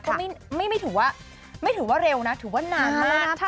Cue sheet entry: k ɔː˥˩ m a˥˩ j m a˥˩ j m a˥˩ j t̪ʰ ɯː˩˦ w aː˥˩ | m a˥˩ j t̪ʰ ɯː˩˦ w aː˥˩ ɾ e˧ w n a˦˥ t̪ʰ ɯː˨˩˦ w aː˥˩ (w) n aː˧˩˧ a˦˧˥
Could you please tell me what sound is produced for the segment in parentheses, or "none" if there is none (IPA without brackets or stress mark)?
none